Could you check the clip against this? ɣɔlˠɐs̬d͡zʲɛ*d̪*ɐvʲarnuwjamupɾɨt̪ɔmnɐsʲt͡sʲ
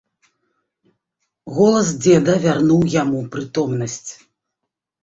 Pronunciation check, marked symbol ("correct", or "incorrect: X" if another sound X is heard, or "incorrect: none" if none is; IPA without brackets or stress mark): correct